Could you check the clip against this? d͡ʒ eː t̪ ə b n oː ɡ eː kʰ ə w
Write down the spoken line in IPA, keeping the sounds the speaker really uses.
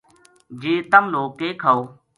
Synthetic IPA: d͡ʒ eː t̪ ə m n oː k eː kʰ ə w